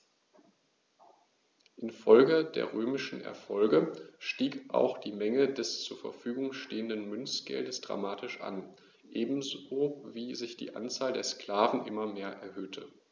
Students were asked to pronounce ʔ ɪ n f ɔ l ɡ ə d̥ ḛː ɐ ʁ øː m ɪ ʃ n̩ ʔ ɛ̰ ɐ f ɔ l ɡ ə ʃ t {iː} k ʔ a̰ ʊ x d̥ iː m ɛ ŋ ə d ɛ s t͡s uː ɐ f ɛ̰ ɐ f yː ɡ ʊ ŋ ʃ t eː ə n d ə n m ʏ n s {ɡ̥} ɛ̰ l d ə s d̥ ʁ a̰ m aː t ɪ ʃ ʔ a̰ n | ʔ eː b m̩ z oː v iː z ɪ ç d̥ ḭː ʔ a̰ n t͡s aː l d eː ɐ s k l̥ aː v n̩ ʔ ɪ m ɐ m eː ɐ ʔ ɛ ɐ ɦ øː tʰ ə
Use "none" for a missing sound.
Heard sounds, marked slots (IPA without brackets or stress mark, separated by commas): iː, ɡ̥